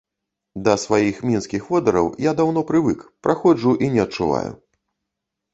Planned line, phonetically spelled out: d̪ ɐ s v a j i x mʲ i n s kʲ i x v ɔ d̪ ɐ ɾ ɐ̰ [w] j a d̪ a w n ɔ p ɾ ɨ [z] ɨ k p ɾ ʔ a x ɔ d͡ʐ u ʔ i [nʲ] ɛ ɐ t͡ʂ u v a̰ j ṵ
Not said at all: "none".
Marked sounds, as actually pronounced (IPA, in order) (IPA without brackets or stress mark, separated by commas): w, v, nʲ